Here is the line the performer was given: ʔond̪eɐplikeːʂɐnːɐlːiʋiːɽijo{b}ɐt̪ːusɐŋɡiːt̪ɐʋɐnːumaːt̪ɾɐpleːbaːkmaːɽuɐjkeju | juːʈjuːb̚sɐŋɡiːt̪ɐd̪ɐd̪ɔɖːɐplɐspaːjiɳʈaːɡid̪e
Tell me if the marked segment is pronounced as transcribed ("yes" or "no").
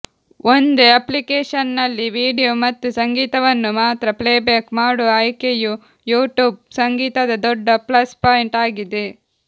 no